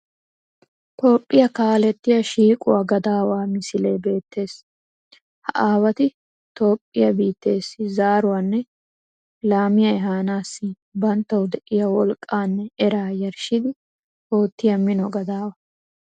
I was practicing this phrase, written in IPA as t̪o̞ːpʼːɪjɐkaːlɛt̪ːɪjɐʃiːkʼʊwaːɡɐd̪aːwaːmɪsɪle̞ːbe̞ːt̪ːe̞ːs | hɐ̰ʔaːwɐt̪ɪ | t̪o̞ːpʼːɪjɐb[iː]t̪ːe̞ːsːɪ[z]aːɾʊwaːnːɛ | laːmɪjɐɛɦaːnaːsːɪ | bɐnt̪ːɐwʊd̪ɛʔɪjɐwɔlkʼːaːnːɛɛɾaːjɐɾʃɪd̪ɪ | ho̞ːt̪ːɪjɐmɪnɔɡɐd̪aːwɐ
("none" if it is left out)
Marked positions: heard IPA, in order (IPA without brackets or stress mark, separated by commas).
iː, z